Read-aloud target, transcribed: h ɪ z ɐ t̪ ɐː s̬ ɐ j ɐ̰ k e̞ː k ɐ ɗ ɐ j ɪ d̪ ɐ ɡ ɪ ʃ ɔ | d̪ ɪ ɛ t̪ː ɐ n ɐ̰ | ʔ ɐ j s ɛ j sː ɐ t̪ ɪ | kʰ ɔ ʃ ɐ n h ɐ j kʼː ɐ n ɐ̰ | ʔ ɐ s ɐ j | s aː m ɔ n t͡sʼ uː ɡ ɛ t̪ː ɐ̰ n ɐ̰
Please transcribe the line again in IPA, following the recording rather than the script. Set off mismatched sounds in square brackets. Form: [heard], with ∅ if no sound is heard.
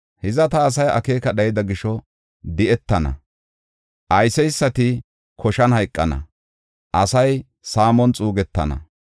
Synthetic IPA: h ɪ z ɐ t̪ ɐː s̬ ɐ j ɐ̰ k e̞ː k ɐ ɗ ɐ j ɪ d̪ ɐ ɡ ɪ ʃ ɔ | d̪ ɪ ɛ t̪ː ɐ n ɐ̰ | ʔ ɐ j s ɛ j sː ɐ t̪ ɪ | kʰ ɔ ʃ ɐ n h ɐ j kʼː ɐ n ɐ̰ | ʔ ɐ s ɐ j | s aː m ɔ n t͡sʼ uː ɡ ɛ t̪ː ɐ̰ n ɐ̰